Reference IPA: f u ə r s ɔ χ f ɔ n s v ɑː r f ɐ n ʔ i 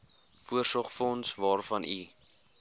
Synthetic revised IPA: f u ə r s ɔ χ f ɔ n s v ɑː r f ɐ n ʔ i